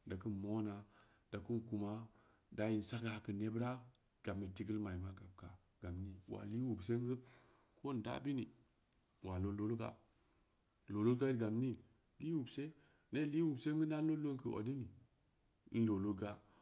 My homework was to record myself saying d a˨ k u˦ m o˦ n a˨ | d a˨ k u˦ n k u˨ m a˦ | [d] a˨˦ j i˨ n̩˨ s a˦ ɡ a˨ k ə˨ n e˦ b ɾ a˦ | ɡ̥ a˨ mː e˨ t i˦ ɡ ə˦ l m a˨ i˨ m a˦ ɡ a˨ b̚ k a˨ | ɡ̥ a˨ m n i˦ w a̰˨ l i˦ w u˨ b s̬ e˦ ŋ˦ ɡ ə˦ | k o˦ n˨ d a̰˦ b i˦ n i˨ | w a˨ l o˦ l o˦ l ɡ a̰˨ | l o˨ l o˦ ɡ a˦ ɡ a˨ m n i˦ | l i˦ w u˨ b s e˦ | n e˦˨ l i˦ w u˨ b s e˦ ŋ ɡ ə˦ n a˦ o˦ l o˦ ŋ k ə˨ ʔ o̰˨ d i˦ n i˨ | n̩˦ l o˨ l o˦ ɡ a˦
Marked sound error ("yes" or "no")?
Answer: no